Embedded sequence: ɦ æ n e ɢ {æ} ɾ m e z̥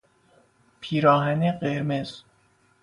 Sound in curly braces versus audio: incorrect: e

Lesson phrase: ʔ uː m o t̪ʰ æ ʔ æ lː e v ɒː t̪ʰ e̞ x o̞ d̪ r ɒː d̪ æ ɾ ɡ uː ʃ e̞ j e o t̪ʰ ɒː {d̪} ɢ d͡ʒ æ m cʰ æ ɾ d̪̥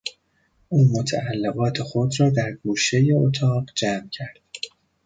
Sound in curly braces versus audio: incorrect: none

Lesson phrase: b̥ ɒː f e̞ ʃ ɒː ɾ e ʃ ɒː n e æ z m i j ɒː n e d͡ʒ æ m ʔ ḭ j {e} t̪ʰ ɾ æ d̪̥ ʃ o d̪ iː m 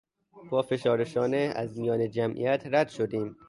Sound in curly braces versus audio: incorrect: æ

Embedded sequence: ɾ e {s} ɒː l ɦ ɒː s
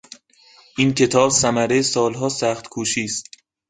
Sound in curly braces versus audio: correct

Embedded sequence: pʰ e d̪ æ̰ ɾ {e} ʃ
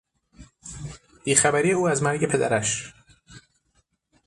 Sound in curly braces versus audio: incorrect: æ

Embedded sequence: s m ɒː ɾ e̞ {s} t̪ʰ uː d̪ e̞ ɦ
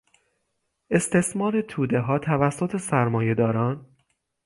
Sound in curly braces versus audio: incorrect: none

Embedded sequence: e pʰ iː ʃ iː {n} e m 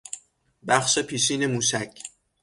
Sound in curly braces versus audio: correct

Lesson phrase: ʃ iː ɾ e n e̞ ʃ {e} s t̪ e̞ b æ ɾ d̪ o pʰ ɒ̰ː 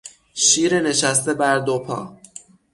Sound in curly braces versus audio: incorrect: æ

